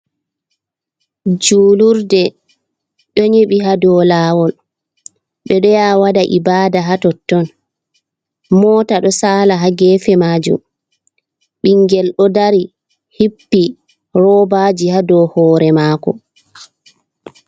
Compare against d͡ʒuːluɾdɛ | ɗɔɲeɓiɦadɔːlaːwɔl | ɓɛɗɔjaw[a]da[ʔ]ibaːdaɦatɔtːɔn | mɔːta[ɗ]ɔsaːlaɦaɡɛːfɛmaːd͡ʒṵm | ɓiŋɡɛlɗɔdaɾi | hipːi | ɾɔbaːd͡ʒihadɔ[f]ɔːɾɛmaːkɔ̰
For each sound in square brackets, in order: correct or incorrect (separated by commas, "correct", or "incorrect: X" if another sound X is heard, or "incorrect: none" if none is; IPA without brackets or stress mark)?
correct, correct, correct, incorrect: h